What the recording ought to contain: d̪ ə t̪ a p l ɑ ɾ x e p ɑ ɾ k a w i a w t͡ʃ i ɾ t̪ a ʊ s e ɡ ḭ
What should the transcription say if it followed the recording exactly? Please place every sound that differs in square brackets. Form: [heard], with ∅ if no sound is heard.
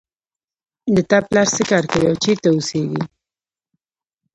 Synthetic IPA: d̪ ə t̪ a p l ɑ ɾ [s] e [k] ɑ ɾ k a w i a w t͡ʃ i ɾ t̪ a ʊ s e ɡ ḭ